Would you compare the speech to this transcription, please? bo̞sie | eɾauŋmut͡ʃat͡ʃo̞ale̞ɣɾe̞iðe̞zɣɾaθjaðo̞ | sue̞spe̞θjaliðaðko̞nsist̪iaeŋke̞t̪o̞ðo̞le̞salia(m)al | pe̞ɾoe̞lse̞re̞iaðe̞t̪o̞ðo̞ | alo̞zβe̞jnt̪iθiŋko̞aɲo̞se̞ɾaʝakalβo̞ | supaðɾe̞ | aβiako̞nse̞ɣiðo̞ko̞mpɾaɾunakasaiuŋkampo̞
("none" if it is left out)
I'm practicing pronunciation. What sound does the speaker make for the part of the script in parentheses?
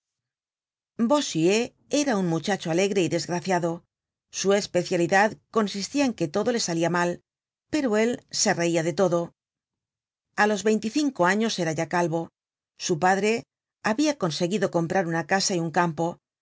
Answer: m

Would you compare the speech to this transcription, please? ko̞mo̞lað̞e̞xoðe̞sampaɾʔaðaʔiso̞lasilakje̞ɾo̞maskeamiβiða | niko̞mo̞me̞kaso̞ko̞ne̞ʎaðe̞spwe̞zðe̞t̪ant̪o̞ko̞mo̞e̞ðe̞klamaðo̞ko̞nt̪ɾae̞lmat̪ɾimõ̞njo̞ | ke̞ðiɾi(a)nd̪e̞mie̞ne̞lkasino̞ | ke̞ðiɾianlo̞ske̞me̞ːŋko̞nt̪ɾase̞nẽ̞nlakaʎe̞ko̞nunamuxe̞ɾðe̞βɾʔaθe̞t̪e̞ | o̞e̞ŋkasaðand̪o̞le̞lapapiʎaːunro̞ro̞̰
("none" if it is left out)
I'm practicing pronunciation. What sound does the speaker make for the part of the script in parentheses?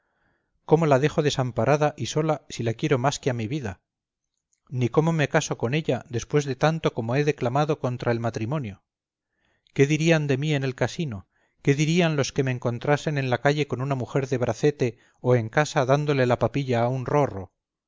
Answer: a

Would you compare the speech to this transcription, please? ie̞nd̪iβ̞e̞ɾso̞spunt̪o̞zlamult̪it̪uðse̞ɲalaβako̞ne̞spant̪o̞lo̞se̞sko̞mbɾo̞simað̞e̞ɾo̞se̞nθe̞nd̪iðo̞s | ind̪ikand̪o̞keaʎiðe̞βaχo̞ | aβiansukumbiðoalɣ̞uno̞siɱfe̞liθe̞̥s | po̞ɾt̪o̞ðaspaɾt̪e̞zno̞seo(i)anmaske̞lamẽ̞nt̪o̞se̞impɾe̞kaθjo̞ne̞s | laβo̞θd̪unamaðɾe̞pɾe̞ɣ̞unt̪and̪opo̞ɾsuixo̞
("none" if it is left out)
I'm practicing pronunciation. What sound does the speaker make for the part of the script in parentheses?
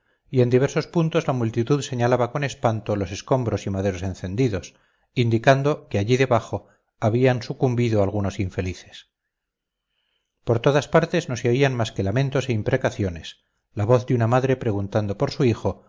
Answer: i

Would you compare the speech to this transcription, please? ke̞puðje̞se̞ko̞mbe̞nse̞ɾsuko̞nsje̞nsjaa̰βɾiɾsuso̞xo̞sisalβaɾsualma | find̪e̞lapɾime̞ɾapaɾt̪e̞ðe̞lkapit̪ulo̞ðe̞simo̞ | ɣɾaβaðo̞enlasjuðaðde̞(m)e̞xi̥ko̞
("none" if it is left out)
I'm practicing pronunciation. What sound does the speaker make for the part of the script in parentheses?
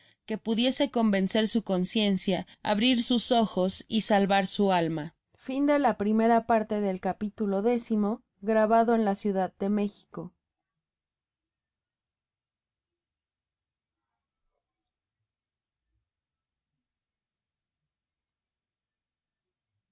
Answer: m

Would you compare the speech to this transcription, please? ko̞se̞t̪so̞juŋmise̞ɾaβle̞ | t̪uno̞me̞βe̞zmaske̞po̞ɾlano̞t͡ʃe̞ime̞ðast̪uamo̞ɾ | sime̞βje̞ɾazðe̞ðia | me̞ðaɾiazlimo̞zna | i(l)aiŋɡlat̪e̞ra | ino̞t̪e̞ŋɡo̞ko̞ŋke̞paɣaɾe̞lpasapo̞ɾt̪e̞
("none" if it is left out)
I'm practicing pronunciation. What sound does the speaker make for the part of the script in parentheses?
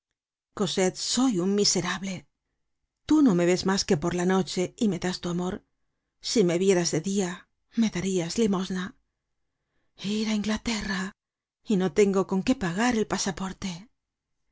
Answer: ɾ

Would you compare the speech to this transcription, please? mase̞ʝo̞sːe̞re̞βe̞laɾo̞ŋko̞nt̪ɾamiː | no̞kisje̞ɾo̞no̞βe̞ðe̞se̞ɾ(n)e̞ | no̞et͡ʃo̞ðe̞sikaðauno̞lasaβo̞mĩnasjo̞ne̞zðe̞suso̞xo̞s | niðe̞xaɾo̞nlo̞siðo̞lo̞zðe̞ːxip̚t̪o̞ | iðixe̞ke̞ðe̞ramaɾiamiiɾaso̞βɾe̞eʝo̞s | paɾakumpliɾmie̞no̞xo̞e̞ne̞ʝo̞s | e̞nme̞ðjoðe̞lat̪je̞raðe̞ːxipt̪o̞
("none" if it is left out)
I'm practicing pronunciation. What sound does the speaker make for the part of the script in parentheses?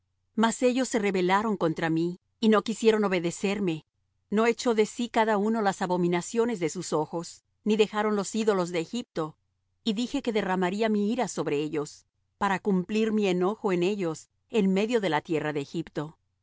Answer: m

